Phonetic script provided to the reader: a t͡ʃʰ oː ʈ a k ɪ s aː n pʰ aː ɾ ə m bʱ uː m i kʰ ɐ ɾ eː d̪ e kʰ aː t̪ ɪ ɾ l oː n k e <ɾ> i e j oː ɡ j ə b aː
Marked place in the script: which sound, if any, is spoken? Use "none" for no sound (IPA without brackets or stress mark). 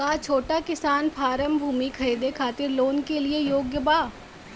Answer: l